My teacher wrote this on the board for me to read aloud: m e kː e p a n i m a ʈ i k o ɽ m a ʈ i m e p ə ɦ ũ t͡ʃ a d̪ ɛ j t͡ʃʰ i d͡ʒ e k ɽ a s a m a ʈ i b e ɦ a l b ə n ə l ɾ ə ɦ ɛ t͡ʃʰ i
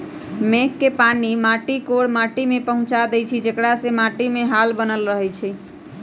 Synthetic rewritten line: m e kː e p a n i m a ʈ i k o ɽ m a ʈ i m e p ə ɦ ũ t͡ʃ a d̪ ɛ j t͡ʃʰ i d͡ʒ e k ɽ a s e m a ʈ i m e ɦ a l b ə n ə l ɾ ə ɦ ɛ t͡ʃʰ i

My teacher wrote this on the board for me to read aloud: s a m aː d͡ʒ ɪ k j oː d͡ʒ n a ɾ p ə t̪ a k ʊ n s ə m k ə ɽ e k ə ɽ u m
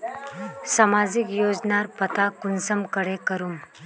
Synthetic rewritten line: s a m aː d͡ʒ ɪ k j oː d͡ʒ n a ɾ p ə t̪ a k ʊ n s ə m k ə ɽ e k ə ɾ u m

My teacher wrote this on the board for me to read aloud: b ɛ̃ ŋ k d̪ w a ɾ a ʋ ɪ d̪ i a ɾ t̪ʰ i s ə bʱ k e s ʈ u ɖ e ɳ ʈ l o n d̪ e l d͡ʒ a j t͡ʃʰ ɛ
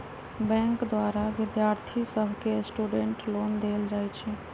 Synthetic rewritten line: b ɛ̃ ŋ k d̪ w a ɾ a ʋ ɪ d̪ j a ɾ t̪ʰ i s ə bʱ k e s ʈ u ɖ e ɳ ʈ l o n d̪ e l d͡ʒ a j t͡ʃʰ ɛ

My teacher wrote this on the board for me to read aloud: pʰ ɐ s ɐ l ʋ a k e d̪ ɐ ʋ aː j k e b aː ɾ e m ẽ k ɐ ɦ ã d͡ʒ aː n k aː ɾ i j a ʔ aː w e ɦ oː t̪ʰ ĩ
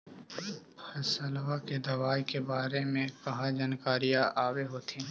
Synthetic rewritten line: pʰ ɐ s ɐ l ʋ a k e d̪ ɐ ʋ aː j k e b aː ɾ e m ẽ k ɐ ɦ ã d͡ʒ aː n k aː ɾ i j a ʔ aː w e ɦ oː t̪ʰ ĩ

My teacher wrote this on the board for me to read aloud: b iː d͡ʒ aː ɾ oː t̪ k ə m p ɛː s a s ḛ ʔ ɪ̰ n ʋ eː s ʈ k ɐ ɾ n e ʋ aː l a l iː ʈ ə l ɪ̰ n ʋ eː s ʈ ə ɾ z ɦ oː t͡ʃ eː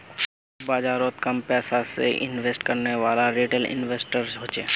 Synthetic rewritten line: b aː d͡ʒ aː ɾ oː t̪ k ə m p ɛː s a s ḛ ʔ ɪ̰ n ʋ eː s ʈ k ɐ ɾ n e ʋ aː l a ɾ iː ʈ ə l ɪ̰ n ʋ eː s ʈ ə ɾ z ɦ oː t͡ʃ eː

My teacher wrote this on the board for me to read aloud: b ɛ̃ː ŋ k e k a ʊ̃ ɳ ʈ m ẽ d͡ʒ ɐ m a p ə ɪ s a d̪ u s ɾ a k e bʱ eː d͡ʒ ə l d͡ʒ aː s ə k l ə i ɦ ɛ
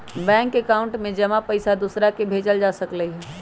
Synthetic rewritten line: b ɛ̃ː ŋ k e k a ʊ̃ ɳ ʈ m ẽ d͡ʒ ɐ m a p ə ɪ s a d̪ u s ɾ a k e bʱ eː d͡ʒ ə l d͡ʒ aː s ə k l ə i ɦ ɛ

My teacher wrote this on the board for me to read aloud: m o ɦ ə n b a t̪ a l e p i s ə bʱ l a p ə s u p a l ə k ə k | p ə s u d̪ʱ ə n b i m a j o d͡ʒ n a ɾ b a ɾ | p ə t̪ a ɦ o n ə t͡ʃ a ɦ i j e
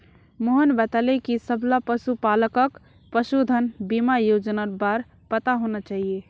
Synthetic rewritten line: m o ɦ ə n b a t̪ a l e k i s ə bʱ l a p ə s u p a l ə k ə k | p ə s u d̪ʱ ə n b i m a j o d͡ʒ n a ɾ b a ɾ | p ə t̪ a ɦ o n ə t͡ʃ a ɦ i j e

